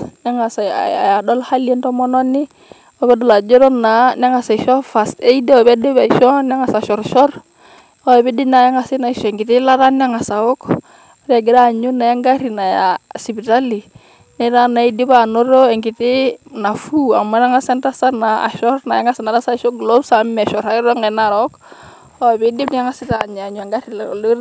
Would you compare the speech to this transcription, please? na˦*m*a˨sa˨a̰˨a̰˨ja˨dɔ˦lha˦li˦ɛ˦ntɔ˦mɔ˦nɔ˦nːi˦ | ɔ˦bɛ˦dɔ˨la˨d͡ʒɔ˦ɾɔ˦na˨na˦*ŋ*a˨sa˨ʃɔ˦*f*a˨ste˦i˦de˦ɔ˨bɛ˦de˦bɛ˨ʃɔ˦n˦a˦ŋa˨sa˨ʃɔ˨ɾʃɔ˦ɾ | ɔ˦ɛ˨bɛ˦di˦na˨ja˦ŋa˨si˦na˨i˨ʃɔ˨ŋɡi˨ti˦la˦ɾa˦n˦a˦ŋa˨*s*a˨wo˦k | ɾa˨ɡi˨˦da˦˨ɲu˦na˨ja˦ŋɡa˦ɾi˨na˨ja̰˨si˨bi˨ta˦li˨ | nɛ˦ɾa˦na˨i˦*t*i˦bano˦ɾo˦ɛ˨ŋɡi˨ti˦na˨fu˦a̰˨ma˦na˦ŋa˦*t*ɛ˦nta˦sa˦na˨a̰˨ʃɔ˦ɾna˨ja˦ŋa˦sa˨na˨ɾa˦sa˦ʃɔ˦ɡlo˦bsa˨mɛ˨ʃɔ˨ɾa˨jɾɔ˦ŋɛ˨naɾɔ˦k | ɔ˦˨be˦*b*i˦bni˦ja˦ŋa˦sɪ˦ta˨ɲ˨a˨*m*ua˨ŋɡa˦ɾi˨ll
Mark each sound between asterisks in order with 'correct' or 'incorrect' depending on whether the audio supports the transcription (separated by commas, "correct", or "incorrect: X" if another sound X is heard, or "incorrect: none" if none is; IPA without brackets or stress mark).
incorrect: ŋ, correct, correct, correct, incorrect: d, incorrect: s, incorrect: d, incorrect: ɲ